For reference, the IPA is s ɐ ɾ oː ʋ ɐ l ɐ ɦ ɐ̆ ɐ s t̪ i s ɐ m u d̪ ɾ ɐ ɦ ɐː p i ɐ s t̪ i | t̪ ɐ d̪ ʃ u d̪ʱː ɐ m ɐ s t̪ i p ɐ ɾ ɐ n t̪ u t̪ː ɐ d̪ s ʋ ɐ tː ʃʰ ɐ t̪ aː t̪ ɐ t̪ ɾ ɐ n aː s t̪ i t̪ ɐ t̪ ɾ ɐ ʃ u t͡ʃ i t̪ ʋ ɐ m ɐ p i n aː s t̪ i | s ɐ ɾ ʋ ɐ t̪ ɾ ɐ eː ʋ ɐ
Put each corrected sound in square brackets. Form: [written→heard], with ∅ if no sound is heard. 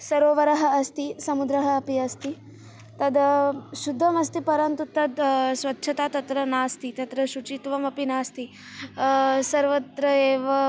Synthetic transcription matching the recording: s ɐ ɾ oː ʋ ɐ [l→ɾ] ɐ ɦ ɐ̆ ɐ s t̪ i s ɐ m u d̪ ɾ ɐ ɦ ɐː p i ɐ s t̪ i | t̪ ɐ d̪ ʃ u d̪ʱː ɐ m ɐ s t̪ i p ɐ ɾ ɐ n t̪ u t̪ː ɐ d̪ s ʋ ɐ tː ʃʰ ɐ t̪ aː t̪ ɐ t̪ ɾ ɐ n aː s t̪ i t̪ ɐ t̪ ɾ ɐ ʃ u t͡ʃ i t̪ ʋ ɐ m ɐ p i n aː s t̪ i | s ɐ ɾ ʋ ɐ t̪ ɾ ɐ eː ʋ ɐ